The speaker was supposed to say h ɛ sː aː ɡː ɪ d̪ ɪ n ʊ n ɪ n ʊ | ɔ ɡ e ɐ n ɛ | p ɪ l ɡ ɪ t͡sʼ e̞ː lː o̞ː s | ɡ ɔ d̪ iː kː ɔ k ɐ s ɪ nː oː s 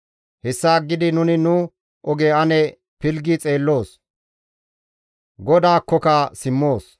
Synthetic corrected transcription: h ɛ sː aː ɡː ɪ d̪ ɪ n ʊ n ɪ n ʊ | ɔ ɡ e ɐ n ɛ | p ɪ l ɡ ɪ t͡sʼ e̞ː lː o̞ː s | ɡ ɔ d̪ aː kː ɔ k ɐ s ɪ mː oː s